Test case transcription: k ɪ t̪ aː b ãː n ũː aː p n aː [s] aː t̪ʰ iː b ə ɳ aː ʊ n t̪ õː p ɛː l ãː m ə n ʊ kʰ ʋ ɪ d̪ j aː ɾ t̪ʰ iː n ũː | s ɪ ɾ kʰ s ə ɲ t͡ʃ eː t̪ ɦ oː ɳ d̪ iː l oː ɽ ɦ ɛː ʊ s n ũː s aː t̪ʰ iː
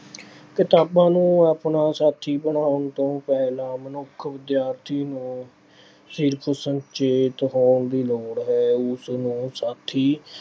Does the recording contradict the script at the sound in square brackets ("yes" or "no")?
no